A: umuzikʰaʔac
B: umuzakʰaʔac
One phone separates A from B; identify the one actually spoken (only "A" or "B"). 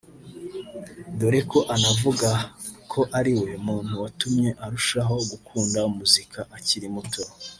A